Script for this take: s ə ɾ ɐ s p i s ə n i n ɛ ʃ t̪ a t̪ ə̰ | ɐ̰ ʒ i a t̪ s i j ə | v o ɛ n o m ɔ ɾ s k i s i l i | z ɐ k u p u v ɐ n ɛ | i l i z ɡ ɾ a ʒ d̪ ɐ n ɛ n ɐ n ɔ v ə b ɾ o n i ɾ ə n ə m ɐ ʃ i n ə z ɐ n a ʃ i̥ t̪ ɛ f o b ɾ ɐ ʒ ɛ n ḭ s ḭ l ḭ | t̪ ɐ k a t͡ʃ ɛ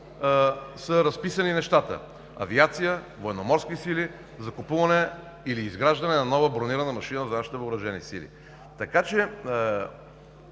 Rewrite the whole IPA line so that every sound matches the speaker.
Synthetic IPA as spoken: s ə ɾ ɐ s p i s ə n i n ɛ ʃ t̪ a t̪ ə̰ | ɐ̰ v i a t̪ s i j ə | v o ɛ n o m ɔ ɾ s k i s i l i | z ɐ k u p u v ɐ n ɛ | i l iː z ɡ ɾ a ʒ d̪ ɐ n ɛ n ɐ n ɔ v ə b ɾ o n i ɾ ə n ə m ɐ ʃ i n ə z ɐ n a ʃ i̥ t̪ ɛ v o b ɾ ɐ ʒ ɛ n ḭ s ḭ l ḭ | t̪ ɐ k a t͡ʃ ɛ